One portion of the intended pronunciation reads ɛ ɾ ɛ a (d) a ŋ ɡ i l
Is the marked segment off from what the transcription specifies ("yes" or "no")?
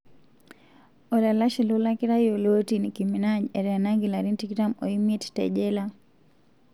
yes